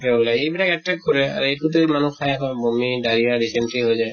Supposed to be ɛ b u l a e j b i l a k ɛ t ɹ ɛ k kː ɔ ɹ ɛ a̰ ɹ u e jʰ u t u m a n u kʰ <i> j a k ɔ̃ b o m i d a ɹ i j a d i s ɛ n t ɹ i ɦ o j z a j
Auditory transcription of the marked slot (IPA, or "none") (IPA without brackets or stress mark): a